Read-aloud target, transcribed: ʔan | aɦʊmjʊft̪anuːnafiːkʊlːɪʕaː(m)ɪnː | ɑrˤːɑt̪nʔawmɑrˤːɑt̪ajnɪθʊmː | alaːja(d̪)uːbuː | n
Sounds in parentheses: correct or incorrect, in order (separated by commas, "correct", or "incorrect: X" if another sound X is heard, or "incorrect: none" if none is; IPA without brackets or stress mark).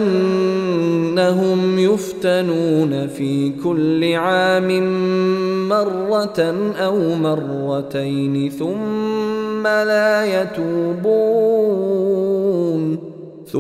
correct, incorrect: t̪